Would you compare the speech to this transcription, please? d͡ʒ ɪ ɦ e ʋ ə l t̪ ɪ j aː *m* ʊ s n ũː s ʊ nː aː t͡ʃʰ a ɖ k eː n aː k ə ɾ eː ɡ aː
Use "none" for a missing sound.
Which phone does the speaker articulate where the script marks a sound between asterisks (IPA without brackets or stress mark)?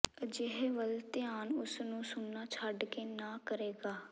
n